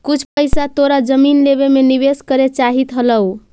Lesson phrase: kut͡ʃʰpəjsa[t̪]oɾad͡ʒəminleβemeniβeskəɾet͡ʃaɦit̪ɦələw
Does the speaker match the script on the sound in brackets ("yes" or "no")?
yes